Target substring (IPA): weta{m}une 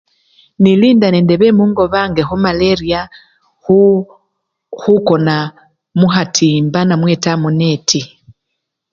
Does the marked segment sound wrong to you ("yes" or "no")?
no